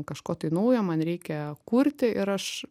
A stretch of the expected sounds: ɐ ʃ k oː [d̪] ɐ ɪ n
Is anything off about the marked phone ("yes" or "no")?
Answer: yes